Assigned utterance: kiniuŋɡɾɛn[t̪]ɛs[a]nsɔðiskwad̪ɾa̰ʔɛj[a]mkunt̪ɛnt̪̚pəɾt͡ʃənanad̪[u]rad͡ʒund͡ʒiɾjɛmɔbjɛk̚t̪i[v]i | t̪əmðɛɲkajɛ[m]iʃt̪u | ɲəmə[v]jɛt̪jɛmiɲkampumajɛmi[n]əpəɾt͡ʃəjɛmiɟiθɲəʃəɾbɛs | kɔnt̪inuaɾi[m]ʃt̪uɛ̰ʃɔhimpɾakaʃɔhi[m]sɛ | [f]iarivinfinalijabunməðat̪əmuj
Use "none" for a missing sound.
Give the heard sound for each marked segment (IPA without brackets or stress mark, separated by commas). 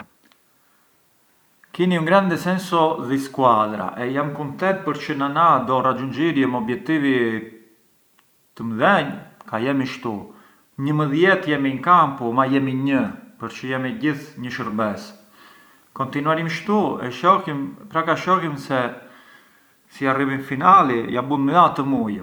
d̪, ɛ, a, ɔ, v, m, ð, ɲ, m, m, s